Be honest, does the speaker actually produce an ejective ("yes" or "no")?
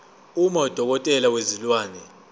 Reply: yes